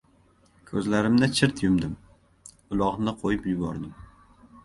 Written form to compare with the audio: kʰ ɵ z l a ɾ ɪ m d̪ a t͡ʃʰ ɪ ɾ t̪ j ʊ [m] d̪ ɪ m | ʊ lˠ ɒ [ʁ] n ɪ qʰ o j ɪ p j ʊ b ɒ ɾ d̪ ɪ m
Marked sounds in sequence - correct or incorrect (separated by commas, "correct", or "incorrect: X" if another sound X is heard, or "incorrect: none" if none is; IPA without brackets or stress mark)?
correct, correct